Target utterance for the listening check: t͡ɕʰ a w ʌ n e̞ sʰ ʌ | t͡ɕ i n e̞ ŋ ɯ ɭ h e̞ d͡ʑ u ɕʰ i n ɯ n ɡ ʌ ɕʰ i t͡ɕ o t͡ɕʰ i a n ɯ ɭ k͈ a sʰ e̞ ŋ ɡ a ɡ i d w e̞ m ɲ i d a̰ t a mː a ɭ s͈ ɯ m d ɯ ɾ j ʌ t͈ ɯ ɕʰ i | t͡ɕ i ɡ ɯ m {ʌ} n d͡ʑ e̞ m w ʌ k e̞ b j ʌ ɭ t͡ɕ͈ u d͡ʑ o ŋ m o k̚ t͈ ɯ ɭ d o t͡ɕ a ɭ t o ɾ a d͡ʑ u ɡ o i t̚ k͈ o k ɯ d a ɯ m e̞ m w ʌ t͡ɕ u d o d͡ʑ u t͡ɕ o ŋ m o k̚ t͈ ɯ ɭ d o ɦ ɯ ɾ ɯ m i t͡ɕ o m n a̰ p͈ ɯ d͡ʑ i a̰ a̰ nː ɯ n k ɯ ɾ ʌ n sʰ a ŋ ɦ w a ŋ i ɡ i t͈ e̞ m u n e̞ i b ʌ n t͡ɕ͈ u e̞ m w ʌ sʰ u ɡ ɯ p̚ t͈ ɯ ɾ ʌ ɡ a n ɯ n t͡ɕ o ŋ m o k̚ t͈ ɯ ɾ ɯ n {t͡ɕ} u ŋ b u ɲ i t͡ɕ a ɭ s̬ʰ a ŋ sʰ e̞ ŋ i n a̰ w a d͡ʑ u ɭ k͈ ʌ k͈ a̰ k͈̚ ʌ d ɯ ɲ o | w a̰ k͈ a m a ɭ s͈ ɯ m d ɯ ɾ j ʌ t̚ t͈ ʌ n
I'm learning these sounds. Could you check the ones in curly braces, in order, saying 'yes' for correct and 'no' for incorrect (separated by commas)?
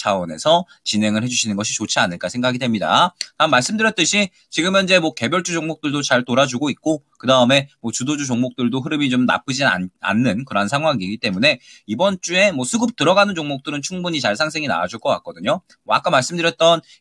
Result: yes, no